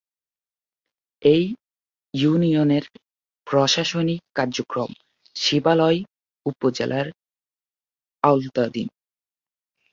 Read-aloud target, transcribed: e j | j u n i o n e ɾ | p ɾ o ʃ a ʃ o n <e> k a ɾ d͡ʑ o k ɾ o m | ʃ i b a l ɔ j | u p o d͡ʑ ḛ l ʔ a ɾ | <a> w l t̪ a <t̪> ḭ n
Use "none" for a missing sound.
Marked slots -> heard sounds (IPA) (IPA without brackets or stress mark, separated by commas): i, a, d̪